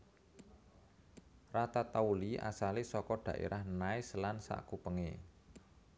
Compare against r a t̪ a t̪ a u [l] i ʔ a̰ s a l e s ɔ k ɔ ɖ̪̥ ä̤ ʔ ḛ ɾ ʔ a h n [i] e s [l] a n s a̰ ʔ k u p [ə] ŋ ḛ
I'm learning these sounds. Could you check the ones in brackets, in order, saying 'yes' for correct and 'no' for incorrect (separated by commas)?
yes, no, yes, yes